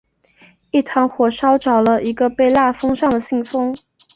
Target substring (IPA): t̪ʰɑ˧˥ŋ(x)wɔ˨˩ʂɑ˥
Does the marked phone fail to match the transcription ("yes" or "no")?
no